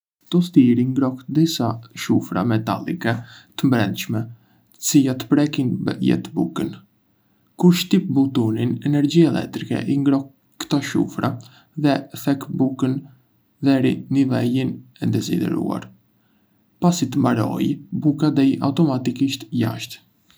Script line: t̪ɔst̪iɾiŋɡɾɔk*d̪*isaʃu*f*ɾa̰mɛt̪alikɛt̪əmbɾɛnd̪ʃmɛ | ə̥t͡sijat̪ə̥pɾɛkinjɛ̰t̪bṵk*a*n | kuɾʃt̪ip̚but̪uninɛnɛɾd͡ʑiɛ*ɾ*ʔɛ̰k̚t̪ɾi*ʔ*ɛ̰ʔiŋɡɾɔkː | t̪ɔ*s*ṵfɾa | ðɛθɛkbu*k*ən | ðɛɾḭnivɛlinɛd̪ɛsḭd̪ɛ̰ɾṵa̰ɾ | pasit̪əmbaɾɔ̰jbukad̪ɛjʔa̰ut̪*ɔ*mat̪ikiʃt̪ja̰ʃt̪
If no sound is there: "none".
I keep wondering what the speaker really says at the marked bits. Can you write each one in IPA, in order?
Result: d̪, f, ə, l, k, ʃ, k, ɔ

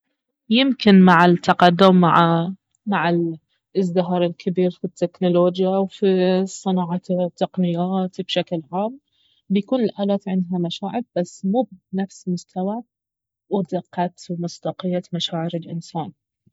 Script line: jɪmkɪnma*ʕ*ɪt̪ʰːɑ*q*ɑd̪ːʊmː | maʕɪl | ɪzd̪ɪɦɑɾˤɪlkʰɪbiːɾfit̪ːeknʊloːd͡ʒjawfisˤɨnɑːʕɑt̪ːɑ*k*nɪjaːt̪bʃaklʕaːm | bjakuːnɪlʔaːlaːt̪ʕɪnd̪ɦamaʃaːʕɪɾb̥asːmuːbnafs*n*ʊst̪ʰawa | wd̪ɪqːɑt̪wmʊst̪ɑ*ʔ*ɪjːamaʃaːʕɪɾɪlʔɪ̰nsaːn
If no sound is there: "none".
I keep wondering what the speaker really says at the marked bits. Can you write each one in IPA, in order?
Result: ʕ, q, q, m, q

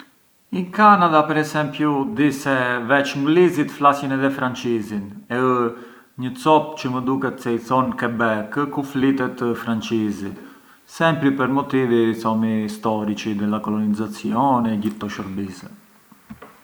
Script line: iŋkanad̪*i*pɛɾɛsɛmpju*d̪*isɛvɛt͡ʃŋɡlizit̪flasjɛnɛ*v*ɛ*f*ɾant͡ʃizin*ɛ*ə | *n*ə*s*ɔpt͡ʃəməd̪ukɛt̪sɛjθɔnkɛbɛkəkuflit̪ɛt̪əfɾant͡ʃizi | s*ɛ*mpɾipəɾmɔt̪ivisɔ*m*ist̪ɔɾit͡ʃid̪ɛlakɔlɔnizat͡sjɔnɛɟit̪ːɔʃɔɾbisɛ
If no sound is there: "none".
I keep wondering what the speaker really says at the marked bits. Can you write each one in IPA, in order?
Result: a, d̪, ð, f, ɛ, ɲ, t͡s, ɛ, m

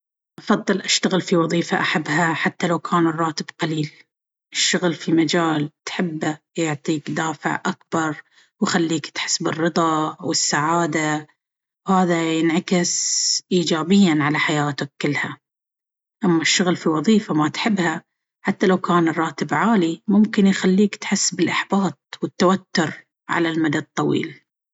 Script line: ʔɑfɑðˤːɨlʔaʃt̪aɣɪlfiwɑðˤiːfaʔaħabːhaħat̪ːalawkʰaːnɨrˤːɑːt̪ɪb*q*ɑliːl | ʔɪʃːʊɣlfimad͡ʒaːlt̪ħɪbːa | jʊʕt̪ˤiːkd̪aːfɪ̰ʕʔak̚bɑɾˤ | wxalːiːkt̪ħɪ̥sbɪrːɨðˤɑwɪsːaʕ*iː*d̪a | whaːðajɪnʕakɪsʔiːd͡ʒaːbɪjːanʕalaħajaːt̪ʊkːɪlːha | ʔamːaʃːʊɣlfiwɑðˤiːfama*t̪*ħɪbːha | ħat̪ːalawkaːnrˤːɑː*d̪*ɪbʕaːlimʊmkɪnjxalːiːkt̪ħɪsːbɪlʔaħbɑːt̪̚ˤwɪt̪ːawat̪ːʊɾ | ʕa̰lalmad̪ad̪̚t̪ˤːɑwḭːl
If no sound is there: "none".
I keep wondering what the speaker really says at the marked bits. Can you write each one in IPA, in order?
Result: q, aː, t̪, t̪

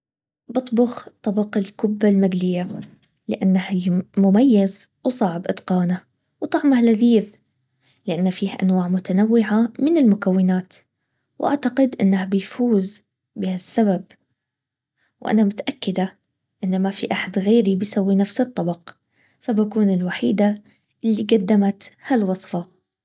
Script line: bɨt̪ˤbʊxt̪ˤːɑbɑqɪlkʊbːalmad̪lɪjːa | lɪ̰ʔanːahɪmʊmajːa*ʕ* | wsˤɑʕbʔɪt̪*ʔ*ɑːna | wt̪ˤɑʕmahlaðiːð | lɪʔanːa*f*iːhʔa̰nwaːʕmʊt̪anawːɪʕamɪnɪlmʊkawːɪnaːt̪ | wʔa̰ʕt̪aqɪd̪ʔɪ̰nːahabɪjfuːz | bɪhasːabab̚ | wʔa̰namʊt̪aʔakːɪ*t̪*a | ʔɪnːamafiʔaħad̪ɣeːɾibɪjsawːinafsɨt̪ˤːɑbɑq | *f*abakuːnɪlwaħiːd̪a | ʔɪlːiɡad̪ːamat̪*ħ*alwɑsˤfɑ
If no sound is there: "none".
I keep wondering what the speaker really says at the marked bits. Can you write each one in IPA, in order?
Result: z, q, f, d̪, f, h

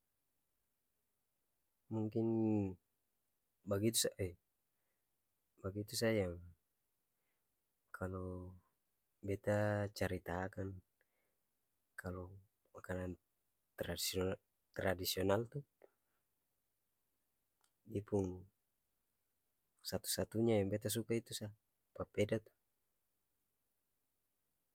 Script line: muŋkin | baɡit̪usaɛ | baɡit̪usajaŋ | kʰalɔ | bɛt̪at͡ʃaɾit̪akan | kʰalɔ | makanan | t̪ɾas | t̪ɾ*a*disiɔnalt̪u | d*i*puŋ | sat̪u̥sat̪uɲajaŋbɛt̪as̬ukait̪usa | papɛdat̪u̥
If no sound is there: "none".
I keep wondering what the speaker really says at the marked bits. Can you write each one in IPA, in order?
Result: a, i

